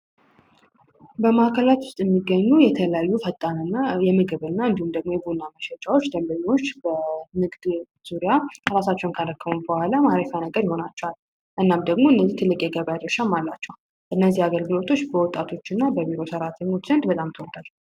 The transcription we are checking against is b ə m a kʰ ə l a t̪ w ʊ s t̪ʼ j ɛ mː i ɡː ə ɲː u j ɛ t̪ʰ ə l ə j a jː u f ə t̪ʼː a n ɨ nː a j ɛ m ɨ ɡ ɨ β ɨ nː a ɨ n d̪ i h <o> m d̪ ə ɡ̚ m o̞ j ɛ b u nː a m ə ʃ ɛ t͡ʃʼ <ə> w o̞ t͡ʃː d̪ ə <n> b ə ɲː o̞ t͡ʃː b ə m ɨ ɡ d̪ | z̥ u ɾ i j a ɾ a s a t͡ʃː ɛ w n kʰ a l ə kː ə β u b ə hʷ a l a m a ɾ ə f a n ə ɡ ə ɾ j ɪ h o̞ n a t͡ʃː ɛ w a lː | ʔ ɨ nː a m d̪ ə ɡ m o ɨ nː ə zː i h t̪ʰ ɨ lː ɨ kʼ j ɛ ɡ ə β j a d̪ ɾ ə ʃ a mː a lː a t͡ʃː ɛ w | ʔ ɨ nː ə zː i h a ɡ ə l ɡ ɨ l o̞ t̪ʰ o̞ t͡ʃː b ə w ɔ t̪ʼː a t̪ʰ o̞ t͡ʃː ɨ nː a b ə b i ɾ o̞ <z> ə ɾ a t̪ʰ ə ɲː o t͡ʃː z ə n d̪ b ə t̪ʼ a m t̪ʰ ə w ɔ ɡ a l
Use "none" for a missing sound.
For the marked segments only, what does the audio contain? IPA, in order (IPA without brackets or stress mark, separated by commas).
u, a, m, s